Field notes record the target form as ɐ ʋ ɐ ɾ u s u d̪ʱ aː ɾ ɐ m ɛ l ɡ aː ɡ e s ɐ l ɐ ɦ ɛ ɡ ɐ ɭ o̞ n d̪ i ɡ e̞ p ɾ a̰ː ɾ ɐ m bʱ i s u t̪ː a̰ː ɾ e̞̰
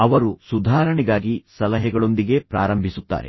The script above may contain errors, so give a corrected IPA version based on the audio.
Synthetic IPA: ɐ ʋ ɐ ɾ u s u d̪ʱ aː ɾ ɐ ɳ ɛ ɡ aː ɡ i s ɐ l ɐ ɦ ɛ ɡ ɐ ɭ o̞ n d̪ i ɡ e̞ p ɾ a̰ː ɾ ɐ m bʱ i s u t̪ː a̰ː ɾ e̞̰